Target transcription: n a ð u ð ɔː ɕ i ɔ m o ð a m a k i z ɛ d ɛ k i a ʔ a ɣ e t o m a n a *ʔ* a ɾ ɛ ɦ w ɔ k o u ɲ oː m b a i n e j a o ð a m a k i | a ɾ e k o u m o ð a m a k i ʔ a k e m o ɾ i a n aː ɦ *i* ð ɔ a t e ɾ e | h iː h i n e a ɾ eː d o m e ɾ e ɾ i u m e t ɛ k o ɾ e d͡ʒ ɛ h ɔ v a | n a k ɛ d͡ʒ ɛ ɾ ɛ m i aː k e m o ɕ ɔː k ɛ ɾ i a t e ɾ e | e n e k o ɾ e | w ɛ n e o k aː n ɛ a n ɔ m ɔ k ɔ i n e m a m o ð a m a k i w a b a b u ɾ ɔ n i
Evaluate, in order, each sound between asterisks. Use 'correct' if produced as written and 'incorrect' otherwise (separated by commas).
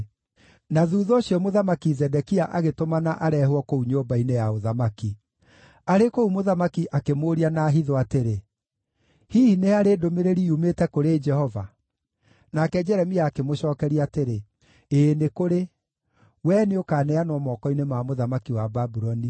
correct, correct